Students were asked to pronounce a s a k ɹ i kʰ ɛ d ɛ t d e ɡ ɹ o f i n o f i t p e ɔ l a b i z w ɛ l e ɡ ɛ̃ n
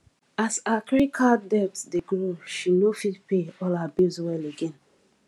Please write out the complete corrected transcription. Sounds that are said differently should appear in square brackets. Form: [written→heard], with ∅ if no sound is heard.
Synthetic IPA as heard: a s a k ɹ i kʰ [ɛ→a] d ɛ t d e ɡ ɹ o [f→ʃ] i n o f i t p e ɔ l a b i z w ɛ l e ɡ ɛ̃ n